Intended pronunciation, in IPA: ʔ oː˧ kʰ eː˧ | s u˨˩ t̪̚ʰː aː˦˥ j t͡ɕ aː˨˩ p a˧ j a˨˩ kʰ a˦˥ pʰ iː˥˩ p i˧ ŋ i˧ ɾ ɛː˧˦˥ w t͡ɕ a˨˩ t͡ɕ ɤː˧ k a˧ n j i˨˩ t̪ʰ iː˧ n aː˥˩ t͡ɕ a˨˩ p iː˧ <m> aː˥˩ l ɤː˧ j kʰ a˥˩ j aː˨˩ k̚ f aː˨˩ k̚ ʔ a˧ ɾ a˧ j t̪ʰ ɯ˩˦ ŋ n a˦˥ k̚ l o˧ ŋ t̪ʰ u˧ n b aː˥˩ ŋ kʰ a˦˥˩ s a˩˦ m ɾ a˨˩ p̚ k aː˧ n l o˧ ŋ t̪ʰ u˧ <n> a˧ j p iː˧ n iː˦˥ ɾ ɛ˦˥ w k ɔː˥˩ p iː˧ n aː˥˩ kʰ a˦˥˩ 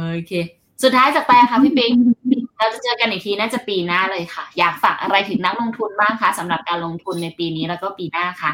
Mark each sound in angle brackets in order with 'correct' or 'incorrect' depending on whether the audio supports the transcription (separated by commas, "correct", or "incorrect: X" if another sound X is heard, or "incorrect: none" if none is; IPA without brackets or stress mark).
incorrect: n, incorrect: nː